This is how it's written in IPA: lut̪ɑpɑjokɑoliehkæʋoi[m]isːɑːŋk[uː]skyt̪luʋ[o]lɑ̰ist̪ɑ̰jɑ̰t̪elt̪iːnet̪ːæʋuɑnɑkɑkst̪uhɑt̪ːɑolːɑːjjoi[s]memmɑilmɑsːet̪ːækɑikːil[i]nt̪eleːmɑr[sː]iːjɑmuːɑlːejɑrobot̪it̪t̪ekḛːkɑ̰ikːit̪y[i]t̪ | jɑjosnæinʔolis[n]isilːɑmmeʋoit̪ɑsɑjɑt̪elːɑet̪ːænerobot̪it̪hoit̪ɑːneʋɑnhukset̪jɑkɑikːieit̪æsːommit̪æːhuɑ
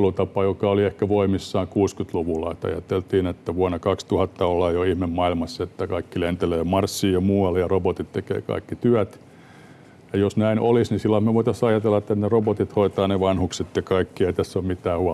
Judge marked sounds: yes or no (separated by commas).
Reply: yes, yes, no, no, no, yes, no, yes